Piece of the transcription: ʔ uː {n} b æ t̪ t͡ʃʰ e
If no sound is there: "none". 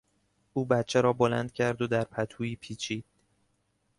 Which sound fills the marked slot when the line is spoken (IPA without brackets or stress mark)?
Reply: none